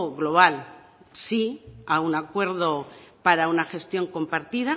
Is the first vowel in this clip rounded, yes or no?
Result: yes